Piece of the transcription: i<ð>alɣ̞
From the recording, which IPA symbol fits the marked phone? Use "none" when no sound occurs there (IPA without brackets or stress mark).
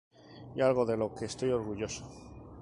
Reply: none